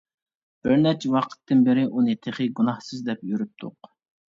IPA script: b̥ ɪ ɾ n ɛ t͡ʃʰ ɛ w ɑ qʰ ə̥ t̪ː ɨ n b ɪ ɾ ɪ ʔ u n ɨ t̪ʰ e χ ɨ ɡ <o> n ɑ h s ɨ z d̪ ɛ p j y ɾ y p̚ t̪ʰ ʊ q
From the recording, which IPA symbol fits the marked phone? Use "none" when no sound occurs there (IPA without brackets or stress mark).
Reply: u